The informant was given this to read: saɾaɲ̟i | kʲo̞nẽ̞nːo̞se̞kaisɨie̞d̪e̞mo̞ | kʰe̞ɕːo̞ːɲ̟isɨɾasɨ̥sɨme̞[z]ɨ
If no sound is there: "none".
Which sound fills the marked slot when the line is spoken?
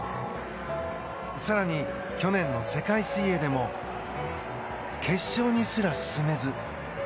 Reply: z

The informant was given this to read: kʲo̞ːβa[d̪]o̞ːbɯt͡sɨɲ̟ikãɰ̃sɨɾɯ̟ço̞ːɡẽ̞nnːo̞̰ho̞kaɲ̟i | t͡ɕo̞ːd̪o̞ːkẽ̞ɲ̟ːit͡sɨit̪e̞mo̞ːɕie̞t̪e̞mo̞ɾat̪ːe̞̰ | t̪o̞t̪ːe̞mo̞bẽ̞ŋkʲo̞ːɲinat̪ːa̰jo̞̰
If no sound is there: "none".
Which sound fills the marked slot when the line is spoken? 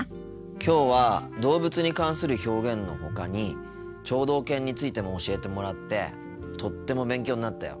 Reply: d̪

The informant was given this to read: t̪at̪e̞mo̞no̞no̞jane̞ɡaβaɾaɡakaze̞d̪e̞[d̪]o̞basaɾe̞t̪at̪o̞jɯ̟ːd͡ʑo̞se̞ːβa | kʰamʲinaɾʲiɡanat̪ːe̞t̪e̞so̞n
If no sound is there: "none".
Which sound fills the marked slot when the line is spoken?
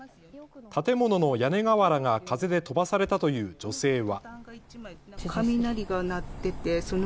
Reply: t̪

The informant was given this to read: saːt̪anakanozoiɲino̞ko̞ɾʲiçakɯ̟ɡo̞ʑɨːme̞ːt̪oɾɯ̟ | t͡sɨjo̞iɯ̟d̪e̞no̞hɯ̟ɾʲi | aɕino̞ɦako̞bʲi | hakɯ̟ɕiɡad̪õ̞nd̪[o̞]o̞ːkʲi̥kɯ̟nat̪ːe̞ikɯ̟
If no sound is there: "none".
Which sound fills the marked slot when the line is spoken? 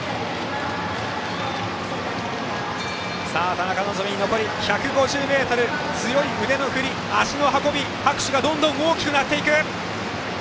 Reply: õ̞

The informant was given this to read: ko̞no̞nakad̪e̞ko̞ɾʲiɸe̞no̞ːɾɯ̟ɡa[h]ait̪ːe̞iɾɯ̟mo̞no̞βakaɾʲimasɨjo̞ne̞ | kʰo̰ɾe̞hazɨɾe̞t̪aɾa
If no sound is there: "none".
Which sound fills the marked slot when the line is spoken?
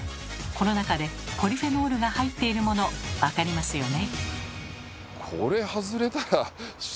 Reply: h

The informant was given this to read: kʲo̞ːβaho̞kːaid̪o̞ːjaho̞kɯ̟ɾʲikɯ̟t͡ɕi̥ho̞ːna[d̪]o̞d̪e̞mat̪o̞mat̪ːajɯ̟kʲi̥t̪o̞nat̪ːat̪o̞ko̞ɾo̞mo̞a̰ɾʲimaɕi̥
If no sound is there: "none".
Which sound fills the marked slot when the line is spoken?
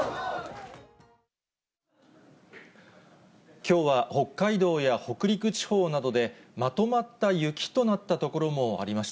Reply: d̪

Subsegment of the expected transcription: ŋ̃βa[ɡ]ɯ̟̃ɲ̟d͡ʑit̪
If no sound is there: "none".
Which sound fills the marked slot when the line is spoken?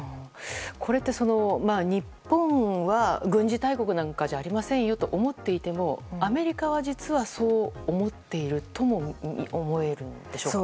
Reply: ɡ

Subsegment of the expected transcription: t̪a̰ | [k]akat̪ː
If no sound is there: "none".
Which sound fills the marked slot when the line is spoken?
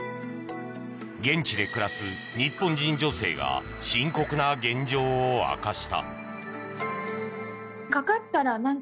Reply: k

